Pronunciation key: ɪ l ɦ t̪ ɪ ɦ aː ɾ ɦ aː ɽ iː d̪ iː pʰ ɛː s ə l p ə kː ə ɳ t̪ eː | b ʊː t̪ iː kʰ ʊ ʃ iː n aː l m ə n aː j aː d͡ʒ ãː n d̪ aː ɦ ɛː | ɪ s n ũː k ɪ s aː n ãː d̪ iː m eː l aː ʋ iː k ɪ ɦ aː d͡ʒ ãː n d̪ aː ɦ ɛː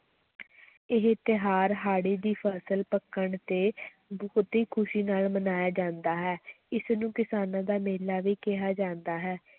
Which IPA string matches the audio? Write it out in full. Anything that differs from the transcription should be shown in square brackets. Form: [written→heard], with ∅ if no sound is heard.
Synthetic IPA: ɪ [l→∅] ɦ t̪ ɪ ɦ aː ɾ ɦ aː ɽ iː d̪ iː pʰ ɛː s ə l p ə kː ə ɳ t̪ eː | b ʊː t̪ iː kʰ ʊ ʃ iː n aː l m ə n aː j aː d͡ʒ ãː n d̪ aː ɦ ɛː | ɪ s n ũː k ɪ s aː n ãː d̪ [iː→aː] m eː l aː ʋ iː k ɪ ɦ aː d͡ʒ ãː n d̪ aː ɦ ɛː